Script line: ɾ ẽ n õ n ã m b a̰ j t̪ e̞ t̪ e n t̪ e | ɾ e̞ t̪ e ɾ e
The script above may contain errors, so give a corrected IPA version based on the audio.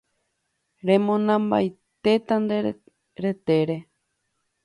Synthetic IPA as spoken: ɾ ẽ m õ n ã m b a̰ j t̪ e̞ t̪ a n d̪ e | ɾ e̞ t̪ e ɾ e